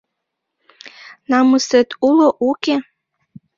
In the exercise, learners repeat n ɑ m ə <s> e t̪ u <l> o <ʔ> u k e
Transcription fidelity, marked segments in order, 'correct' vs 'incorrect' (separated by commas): correct, correct, correct